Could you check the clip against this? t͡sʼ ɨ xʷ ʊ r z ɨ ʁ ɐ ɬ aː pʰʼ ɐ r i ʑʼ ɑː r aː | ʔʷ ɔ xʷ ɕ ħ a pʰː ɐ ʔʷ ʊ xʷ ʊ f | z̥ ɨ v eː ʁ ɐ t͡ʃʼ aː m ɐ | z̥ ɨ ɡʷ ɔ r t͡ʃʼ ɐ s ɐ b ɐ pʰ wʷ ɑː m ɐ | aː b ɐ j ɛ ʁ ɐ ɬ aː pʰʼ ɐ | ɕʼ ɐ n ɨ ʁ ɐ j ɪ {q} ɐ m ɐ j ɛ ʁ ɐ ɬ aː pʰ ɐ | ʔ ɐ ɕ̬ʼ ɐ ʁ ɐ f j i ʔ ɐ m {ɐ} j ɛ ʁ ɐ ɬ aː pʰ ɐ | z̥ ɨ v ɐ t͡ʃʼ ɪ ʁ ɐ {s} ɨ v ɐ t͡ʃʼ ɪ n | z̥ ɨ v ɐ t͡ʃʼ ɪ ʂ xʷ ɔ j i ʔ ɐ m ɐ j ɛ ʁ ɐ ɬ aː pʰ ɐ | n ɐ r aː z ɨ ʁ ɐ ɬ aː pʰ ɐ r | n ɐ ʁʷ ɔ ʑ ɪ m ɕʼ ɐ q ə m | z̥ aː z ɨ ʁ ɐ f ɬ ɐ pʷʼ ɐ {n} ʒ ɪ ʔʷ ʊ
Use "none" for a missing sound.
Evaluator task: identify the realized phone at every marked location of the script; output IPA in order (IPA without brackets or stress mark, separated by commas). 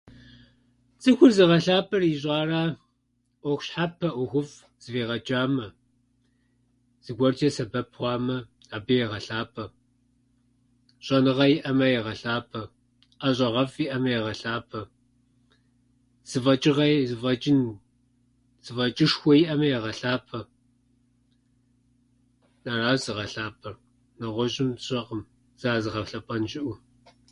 ʔ, ɐ, z, n